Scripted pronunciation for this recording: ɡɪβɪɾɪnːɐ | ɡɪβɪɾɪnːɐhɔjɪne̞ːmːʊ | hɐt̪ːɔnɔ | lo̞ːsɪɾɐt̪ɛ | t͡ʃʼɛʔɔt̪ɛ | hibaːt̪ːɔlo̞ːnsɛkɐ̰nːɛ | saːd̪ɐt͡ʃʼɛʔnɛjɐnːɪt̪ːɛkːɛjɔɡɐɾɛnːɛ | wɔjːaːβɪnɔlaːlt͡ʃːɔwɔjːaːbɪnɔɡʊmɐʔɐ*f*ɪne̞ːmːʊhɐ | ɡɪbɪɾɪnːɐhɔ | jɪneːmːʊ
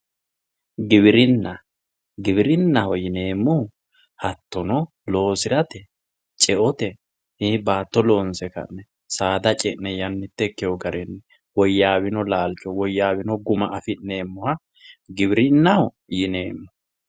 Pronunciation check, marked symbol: correct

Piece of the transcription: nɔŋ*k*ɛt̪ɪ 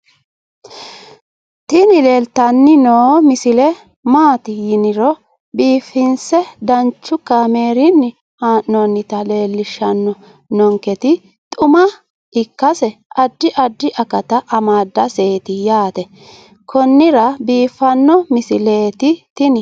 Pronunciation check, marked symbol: correct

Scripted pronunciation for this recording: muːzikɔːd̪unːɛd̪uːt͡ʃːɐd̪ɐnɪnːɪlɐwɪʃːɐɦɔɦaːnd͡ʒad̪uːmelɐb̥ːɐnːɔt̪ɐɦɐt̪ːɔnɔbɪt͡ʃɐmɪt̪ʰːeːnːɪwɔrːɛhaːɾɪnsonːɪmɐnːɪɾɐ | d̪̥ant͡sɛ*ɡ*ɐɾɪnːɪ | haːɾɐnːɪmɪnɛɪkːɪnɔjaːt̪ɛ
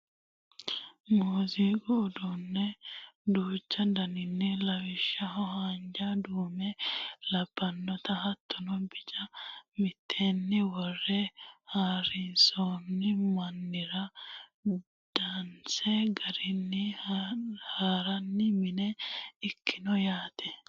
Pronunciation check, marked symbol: correct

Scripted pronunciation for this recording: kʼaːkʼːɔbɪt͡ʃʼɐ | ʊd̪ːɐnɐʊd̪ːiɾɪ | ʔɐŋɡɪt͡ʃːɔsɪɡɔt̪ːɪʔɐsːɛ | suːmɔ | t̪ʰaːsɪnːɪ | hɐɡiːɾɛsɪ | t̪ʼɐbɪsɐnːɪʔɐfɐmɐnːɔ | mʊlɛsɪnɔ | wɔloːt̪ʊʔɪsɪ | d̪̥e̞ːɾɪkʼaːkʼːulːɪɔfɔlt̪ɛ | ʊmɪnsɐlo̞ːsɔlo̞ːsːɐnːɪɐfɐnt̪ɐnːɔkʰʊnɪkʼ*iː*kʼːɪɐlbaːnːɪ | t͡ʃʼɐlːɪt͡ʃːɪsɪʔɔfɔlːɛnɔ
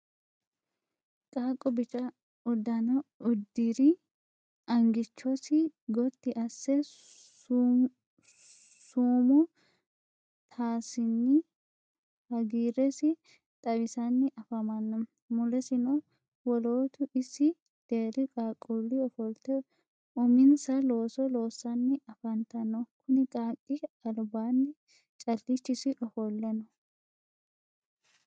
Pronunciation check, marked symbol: incorrect: aː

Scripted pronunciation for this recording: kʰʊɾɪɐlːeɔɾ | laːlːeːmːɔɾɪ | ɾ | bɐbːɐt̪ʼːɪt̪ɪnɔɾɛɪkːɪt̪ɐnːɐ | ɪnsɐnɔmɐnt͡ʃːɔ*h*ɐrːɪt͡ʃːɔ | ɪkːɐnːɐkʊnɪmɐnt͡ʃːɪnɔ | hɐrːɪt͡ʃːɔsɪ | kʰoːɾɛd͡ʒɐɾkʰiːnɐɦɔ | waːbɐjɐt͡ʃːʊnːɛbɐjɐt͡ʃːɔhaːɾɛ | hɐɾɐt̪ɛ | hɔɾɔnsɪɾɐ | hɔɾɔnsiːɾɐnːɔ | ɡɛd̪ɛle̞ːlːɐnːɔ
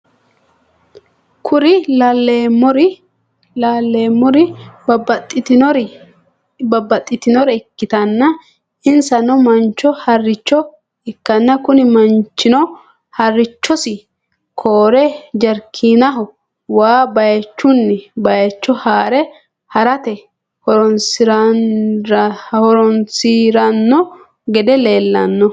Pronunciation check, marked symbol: correct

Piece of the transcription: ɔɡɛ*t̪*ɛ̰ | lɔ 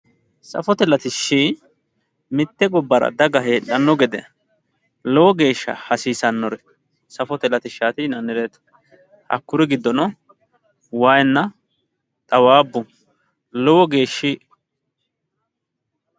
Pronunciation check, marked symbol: incorrect: d̪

